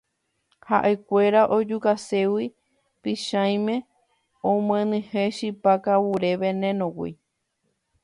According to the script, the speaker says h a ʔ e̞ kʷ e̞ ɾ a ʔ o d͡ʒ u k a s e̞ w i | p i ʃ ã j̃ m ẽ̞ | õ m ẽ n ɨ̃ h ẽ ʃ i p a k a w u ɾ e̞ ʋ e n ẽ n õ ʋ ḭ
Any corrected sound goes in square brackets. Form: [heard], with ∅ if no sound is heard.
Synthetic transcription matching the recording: h a ʔ e̞ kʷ e̞ ɾ a ʔ o d͡ʒ u k a s e̞ w i | p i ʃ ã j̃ m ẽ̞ | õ m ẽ n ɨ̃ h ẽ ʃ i p a k a w u ɾ e̞ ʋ e n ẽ n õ [w] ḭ